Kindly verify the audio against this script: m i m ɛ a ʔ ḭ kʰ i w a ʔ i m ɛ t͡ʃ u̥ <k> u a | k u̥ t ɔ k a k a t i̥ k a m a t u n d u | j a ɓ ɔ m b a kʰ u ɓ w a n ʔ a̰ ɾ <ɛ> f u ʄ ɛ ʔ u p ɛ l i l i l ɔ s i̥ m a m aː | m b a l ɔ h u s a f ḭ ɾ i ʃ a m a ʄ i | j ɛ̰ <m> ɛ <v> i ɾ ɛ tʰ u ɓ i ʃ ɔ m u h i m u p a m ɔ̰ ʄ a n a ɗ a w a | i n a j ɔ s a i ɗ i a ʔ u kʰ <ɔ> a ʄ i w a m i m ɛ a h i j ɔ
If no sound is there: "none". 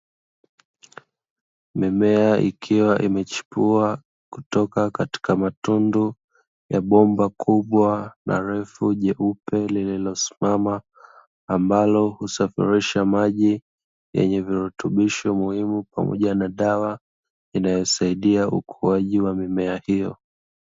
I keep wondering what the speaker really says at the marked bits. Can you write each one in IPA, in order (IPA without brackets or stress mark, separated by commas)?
p, ɛ, ɲ, v, u